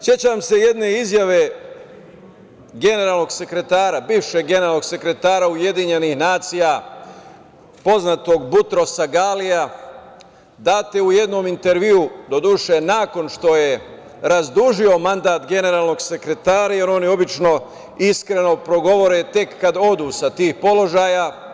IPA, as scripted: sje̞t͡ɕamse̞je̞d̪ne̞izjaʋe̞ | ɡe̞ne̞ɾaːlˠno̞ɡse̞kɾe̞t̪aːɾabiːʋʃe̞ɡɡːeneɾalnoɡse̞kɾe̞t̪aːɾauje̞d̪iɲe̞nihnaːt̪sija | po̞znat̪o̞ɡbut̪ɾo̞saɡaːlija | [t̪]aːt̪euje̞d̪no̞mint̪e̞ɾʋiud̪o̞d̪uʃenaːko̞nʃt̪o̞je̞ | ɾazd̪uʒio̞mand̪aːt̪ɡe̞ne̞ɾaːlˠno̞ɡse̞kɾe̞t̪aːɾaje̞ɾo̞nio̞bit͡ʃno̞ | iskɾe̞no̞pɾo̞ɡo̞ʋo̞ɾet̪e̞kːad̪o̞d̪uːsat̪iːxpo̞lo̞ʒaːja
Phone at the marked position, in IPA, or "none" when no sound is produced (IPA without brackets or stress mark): d̪